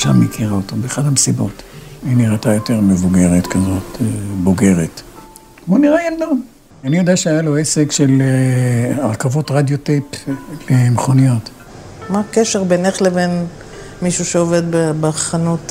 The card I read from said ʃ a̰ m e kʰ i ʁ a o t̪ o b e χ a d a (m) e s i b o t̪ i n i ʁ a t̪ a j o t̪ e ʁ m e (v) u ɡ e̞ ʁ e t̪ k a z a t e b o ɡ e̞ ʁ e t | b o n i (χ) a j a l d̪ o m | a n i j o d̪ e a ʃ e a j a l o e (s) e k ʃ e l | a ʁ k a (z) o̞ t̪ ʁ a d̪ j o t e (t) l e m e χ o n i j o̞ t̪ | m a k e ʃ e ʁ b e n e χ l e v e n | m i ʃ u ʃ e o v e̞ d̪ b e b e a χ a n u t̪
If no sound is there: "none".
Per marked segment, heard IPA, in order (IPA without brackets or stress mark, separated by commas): m, v, ʁ, s, v, p